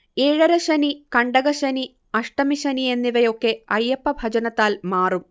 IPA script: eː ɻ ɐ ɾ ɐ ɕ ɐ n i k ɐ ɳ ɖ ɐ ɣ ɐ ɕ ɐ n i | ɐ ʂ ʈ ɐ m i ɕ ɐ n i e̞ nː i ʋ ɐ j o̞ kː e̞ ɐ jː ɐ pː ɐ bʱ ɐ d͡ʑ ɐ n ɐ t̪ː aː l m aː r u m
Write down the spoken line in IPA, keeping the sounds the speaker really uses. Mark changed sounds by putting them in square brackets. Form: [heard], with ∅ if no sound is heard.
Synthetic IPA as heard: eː ɻ ɐ ɾ ɐ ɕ ɐ n i k ɐ ɳ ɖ ɐ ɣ ɐ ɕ ɐ n i | ɐ ʂ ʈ ɐ m i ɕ ɐ n i e̞ nː i ʋ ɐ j o̞ kː e̞ ɐ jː ɐ pː ɐ bʱ ɐ d͡ʑ ɐ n ɐ t̪ː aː l m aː r u m